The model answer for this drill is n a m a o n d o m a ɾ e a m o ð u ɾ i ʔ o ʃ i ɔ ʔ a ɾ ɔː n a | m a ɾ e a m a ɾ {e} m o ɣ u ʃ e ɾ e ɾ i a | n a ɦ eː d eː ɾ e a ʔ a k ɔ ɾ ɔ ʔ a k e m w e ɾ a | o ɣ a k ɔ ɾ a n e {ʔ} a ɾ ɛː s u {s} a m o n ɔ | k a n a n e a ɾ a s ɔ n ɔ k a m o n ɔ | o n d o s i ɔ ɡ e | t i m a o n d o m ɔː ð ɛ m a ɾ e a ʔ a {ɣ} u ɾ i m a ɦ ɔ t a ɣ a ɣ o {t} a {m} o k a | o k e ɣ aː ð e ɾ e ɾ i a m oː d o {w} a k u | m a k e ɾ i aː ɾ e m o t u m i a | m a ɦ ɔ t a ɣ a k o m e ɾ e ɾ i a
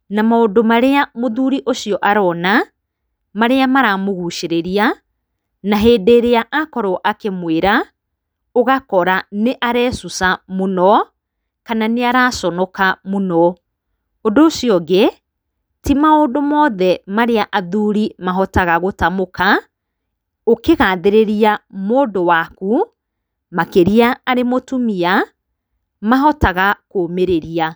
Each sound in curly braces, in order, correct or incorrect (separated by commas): incorrect, correct, correct, incorrect, correct, correct, correct